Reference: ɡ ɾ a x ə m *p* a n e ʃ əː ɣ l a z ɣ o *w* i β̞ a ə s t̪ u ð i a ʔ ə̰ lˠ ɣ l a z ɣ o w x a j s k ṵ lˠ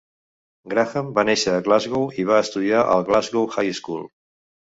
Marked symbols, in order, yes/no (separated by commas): no, yes